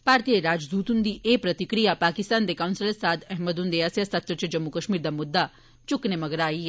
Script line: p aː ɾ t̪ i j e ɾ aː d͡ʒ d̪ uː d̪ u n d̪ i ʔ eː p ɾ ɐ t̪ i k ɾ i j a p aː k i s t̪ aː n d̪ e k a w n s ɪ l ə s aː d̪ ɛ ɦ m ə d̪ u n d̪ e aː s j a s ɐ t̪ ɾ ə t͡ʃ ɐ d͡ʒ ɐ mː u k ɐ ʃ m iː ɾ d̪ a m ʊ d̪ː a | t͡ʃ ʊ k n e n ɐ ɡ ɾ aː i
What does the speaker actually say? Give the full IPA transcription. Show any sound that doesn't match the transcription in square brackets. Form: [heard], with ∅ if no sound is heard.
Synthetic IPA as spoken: p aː ɾ t̪ i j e ɾ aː d͡ʒ d̪ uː [t̪] u n d̪ i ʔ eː p ɾ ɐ t̪ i k ɾ i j a p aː k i s t̪ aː n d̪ e k a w n s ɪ l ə s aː d̪ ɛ ɦ m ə d̪ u n d̪ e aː s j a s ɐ t̪ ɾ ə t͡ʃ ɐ d͡ʒ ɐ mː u k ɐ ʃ m iː ɾ d̪ a m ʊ d̪ː a | t͡ʃ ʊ k n e [m] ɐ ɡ ɾ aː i